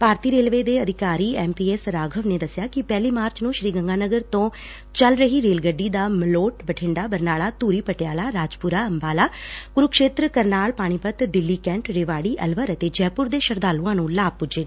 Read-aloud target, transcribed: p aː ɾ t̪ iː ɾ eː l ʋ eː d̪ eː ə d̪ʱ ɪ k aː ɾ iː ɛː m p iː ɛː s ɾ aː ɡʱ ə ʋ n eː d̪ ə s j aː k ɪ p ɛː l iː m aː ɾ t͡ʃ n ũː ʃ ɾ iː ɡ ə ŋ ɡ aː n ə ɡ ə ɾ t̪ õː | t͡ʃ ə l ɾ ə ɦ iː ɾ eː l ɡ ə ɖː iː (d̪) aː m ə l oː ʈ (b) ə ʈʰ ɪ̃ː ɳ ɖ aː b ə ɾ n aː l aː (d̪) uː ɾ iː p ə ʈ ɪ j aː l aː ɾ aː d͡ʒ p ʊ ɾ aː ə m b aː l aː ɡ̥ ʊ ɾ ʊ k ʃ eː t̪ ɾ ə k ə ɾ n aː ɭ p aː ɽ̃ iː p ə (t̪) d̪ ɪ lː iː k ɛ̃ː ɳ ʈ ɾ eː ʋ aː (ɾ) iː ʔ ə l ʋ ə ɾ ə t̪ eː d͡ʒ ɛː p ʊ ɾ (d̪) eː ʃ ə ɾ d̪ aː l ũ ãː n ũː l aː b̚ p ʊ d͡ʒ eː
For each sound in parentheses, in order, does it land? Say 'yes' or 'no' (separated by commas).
yes, yes, no, yes, no, yes